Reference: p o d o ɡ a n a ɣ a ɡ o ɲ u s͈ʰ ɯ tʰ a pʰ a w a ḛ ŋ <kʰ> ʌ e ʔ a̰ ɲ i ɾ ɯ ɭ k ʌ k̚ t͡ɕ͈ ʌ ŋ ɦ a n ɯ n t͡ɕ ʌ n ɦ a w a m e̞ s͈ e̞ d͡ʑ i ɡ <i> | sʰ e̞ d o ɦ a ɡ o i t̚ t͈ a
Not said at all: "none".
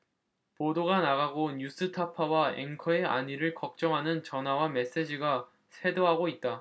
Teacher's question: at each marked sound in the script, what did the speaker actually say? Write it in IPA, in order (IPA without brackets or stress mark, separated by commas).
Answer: kʰ, a